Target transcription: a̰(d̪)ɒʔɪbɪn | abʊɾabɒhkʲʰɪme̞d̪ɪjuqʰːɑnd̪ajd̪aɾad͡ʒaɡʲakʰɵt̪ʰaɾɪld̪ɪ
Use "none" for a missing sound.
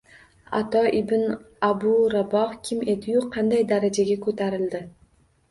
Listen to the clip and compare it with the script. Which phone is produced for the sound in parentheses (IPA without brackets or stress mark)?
t̪